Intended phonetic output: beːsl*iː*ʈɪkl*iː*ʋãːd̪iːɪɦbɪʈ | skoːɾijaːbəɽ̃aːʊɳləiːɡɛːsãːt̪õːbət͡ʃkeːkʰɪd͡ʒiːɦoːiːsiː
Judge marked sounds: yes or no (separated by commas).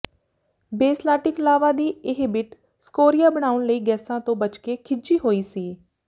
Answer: no, no